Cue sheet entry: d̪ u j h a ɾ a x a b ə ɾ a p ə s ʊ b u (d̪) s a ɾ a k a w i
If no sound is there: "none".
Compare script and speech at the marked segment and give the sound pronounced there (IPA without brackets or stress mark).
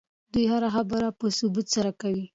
t̪